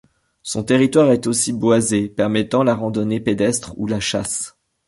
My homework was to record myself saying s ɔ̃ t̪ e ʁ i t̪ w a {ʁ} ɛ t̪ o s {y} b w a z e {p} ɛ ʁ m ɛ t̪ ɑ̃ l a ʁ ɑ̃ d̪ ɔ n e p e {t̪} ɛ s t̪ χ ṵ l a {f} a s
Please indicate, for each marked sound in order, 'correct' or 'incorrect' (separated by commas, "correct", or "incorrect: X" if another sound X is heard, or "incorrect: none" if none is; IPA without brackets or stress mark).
correct, incorrect: i, correct, incorrect: d̪, incorrect: ʃ